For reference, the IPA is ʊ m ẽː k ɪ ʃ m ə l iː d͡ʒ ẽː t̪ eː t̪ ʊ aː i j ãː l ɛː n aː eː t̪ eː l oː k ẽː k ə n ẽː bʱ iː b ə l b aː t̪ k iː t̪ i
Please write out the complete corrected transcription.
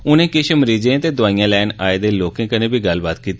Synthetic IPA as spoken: ʊ n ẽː k ɪ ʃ m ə ɾ iː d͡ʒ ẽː t̪ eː d̪ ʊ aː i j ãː l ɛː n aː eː d̪ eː l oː k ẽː k ə n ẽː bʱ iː ɡ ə l b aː t̪ k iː t̪ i